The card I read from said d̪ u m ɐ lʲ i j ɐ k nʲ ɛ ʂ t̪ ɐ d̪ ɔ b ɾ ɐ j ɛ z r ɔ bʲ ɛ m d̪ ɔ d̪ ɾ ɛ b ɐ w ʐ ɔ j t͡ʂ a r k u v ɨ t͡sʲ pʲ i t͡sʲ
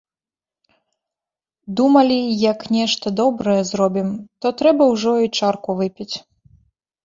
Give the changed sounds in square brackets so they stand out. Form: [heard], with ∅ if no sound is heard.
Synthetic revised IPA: d̪ u m ɐ lʲ i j ɐ k nʲ ɛ ʂ t̪ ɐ d̪ ɔ b ɾ ɐ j ɛ z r ɔ bʲ [i] m [t̪] ɔ [t̪] ɾ ɛ b ɐ w ʐ ɔ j t͡ʂ a r k u v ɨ [∅] pʲ i t͡sʲ